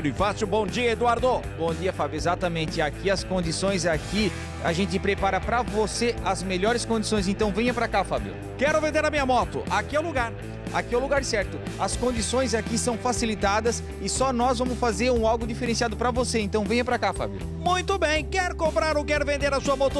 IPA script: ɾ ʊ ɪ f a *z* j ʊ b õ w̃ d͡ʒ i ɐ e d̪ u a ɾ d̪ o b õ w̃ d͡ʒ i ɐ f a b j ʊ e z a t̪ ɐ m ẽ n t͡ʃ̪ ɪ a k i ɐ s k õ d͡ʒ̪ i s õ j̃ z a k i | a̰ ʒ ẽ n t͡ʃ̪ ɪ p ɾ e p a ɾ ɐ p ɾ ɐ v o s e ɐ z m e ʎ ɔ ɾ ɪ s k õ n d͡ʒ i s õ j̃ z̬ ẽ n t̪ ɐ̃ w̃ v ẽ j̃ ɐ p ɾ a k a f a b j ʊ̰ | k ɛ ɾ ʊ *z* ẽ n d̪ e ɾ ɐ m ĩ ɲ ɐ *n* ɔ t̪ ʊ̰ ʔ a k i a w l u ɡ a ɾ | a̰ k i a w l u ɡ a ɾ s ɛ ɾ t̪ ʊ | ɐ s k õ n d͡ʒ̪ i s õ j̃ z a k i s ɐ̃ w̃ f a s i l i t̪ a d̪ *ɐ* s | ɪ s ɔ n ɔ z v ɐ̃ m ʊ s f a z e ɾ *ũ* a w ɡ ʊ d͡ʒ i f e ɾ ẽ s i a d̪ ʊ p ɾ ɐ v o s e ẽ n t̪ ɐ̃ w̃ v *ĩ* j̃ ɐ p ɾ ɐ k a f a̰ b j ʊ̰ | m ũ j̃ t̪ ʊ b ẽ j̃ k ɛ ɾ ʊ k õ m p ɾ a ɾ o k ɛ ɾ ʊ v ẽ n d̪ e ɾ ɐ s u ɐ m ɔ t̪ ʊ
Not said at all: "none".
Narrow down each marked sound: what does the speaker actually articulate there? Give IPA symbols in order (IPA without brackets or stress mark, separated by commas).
s, v, m, ɐ, ũ, ẽ